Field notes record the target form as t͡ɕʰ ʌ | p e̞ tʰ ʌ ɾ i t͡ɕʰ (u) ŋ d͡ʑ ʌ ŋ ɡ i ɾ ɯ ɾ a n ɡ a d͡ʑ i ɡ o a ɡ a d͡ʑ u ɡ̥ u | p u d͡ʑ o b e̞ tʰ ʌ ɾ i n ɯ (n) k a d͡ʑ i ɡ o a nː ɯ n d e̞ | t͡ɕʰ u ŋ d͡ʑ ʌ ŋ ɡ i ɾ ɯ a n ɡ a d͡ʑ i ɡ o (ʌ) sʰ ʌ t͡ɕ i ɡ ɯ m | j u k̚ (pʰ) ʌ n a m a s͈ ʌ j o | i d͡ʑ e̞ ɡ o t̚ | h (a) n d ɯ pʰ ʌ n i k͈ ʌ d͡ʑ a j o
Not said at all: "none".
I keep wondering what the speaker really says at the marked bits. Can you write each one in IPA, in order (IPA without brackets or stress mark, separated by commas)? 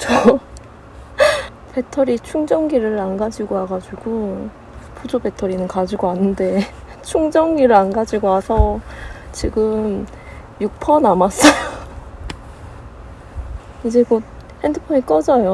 u, n, a, pʰ, e